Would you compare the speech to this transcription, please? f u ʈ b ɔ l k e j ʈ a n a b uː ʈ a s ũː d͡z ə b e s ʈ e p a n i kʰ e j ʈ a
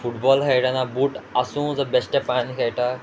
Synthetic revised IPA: f u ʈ b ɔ l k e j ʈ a n a b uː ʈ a s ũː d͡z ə b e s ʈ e p a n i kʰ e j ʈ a